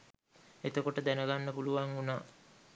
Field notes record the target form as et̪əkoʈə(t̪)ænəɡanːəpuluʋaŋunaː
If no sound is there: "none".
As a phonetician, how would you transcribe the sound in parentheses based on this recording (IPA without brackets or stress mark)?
d̪